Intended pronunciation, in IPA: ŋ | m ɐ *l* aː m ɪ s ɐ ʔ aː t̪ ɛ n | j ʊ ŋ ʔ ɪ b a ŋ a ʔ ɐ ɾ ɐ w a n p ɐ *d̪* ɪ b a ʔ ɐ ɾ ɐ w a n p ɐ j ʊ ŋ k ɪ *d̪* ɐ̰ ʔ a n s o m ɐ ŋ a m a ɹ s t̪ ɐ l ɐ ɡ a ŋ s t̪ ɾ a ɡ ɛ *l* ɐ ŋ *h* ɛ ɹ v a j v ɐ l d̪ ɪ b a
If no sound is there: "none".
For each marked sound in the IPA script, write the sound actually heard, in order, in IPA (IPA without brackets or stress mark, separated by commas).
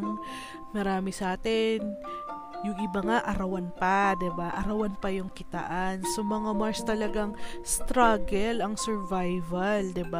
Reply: ɾ, d̪, t̪, l, s